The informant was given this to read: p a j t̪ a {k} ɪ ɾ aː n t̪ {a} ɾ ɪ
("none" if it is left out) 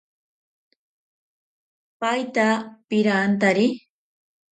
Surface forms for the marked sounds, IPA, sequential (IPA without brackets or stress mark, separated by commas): p, a